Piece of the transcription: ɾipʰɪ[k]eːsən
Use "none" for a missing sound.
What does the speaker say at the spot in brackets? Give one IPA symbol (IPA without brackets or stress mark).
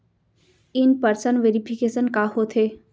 k